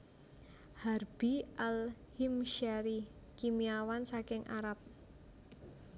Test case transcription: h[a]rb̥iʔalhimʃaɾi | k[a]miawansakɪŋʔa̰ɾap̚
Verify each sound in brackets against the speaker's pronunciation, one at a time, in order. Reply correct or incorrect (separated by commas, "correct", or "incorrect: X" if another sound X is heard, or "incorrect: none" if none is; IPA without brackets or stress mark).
correct, incorrect: i